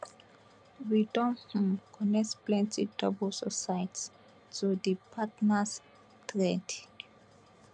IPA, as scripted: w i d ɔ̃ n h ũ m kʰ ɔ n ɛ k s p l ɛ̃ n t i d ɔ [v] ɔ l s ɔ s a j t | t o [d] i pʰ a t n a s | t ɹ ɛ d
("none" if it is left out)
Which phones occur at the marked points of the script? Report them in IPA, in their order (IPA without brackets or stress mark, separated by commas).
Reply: b, d